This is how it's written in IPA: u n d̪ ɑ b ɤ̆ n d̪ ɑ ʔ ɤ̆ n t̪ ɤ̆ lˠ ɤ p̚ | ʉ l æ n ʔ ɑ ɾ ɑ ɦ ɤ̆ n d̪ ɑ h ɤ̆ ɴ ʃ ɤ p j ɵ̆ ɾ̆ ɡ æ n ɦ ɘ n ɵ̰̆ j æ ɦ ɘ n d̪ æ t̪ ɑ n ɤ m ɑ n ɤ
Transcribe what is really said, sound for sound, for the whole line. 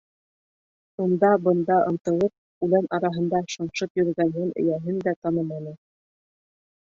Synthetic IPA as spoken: u n d̪ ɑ b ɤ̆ n d̪ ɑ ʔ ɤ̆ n t̪ ɤ̆ lˠ ɤ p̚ | ʉ l æ n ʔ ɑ ɾ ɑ ɦ ɤ̆ n d̪ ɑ ʃ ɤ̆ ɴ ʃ ɤ p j ɵ̆ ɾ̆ ɡ æ n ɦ ɘ n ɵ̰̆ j æ ɦ ɘ n d̪ æ t̪ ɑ n ɤ m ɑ n ɤ